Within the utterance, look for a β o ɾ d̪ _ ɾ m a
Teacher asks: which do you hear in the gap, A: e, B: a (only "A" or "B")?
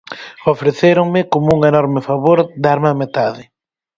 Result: B